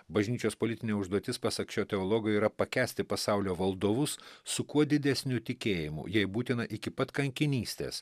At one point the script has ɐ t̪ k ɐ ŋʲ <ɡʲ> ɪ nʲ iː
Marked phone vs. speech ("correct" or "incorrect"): incorrect